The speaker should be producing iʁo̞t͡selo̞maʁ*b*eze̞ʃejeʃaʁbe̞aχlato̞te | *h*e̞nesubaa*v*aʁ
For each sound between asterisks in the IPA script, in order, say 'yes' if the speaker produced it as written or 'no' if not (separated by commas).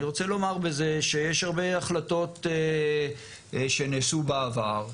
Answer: yes, no, yes